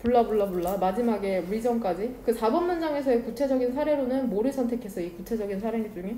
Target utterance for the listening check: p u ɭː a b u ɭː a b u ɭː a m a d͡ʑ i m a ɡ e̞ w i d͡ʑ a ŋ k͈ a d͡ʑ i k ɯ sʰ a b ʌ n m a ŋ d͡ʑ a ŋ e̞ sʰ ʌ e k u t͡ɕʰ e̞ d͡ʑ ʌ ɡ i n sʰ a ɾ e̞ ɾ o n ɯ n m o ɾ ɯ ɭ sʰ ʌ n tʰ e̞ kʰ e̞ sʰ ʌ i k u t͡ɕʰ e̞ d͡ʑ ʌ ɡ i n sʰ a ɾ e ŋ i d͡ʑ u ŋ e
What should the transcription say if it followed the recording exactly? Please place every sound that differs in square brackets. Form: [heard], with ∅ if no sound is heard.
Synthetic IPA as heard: p u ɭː a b u ɭː a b u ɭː a m a d͡ʑ i m a ɡ e̞ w i d͡ʑ [ʌ] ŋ k͈ a d͡ʑ i k ɯ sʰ a b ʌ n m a [n] d͡ʑ a ŋ e̞ sʰ ʌ e k u t͡ɕʰ e̞ d͡ʑ ʌ ɡ i n sʰ a ɾ e̞ ɾ o n ɯ n m o ɾ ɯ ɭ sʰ ʌ n tʰ e̞ kʰ e̞ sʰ ʌ i k u t͡ɕʰ e̞ d͡ʑ ʌ ɡ i n sʰ a ɾ e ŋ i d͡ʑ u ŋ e